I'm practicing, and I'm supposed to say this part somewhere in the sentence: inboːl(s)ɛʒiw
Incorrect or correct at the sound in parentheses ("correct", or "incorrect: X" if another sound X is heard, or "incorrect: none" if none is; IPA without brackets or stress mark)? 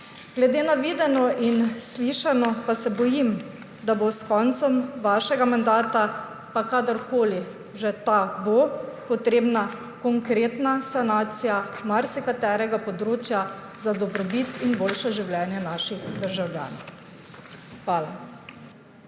incorrect: ʃ